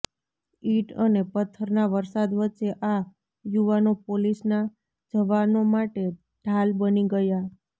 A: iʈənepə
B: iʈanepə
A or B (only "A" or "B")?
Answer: A